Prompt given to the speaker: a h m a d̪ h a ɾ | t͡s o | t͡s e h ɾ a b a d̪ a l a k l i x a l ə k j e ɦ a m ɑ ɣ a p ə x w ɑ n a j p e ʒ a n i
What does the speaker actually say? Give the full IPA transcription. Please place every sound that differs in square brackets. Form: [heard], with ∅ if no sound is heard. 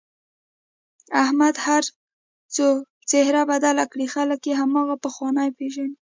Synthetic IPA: a h m a d̪ h a ɾ | t͡s o | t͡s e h ɾ a b a d̪ a l a k [ɽ] i x a l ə k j e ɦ a m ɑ ɣ a p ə x w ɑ n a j p e ʒ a n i